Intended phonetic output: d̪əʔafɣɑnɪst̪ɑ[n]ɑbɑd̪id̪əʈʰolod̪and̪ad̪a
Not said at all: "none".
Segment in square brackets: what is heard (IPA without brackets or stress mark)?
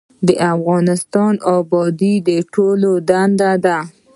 n